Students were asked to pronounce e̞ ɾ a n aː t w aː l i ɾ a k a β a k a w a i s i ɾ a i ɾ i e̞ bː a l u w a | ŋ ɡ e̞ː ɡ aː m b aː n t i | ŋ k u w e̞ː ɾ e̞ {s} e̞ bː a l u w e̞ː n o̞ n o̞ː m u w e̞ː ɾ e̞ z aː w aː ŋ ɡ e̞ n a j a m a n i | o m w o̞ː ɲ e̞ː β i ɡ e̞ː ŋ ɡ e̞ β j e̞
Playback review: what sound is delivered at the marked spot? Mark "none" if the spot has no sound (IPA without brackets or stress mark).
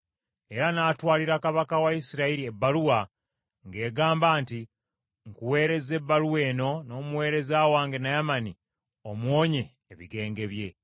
z